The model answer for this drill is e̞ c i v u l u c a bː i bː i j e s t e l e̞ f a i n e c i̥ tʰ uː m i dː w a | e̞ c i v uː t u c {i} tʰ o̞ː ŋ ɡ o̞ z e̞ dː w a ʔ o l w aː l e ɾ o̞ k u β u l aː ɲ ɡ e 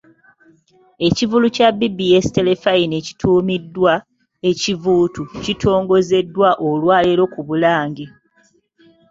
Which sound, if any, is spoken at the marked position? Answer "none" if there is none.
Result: i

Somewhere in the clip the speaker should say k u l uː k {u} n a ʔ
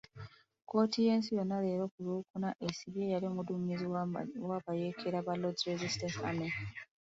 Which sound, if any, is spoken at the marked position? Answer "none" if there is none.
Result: u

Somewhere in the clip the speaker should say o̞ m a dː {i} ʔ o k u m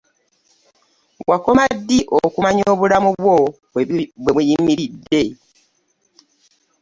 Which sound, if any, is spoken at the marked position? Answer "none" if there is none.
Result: i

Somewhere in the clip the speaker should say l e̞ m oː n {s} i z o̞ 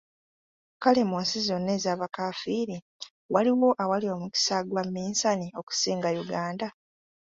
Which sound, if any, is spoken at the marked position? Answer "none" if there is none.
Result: s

